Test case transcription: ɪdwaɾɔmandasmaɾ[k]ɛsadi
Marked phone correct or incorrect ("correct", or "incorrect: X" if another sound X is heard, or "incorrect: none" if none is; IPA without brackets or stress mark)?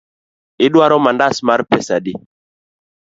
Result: incorrect: p